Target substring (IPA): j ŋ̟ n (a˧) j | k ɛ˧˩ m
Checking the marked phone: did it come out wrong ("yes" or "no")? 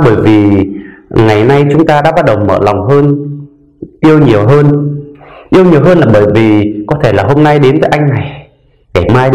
yes